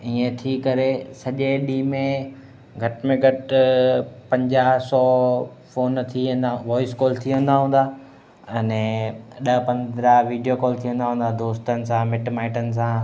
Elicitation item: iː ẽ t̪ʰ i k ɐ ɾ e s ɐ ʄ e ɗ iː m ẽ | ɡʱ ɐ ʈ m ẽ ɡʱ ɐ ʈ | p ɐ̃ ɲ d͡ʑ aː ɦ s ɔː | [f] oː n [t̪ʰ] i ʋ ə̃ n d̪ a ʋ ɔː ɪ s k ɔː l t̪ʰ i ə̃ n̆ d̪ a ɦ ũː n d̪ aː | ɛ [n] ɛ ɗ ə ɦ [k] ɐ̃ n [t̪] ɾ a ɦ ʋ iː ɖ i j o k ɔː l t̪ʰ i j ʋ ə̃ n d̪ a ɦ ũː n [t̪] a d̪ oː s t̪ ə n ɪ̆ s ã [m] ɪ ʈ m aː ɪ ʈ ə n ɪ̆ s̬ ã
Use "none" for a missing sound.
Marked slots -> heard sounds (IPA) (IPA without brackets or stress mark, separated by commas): f, t̪ʰ, n, p, d̪, d̪, m